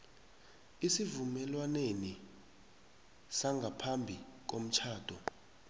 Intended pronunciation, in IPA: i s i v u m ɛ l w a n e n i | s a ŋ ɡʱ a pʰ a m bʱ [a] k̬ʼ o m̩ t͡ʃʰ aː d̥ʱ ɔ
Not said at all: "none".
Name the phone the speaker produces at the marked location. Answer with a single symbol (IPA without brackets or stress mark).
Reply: i